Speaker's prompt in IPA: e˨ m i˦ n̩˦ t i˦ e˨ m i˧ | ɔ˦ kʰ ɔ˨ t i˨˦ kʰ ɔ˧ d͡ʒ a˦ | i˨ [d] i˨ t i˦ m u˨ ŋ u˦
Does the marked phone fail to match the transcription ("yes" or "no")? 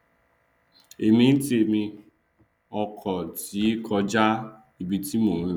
yes